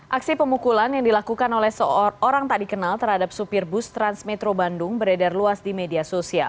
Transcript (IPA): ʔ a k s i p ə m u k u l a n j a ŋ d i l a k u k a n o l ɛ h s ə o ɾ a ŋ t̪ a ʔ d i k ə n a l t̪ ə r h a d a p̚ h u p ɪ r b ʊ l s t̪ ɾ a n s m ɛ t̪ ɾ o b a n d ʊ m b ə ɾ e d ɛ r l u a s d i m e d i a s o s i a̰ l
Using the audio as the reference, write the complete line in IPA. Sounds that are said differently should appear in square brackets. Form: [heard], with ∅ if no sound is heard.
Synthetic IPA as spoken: ʔ a k s i p ə m u k u l a n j a ŋ d i l a k u k a n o l ɛ h s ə o ɾ a ŋ t̪ a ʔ d i k ə n a l t̪ ə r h a d a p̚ [s] u p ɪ r b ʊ [∅] s t̪ ɾ a n s m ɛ t̪ ɾ o b a n d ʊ [ŋ] b ə ɾ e d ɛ r l u a s d i m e d i a s o s i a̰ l